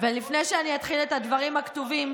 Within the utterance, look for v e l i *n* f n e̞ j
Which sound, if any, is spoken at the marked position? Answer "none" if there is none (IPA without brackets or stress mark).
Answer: none